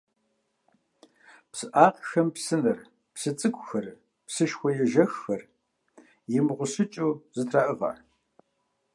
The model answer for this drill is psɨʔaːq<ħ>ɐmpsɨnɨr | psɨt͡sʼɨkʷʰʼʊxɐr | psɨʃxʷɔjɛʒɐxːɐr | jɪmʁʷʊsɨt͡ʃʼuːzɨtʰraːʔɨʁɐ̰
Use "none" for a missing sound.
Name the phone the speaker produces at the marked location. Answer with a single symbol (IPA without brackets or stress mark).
x